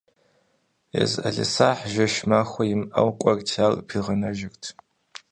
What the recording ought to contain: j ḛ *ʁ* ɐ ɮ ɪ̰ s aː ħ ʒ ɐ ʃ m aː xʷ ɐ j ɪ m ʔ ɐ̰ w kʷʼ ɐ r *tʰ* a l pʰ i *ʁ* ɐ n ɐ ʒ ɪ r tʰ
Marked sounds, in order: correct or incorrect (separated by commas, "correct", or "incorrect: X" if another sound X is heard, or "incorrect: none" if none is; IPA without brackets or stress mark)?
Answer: incorrect: z, correct, correct